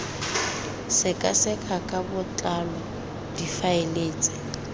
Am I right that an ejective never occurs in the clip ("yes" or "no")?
no